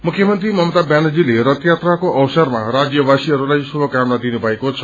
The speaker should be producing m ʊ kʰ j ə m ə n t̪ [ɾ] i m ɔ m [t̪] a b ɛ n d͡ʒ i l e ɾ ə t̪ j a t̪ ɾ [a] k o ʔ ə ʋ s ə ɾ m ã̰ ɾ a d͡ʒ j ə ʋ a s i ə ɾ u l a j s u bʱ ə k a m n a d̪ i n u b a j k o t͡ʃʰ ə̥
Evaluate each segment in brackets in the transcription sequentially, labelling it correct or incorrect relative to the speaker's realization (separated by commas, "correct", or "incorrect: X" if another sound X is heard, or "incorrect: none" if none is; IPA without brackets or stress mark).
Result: correct, correct, correct